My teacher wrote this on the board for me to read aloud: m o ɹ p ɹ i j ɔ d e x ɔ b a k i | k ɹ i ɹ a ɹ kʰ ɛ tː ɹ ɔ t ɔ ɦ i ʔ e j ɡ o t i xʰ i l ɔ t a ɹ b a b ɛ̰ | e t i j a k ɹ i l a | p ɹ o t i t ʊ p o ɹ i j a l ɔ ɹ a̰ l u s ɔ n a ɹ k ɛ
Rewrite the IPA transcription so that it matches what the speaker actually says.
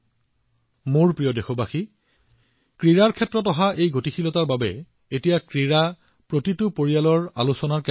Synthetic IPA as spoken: m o ɹ p ɹ i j ɔ d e x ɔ b a x i | k ɹ i ɹ a ɹ kʰ ɛ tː ɹ ɔ t ɔ ɦ a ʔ e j ɡ o t i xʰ i l ɔ t a ɹ b a b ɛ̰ | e t i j a k ɹ i ɹ a | p ɹ o t i t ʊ p o ɹ i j a l ɔ ɹ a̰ l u s ɔ n a ɹ k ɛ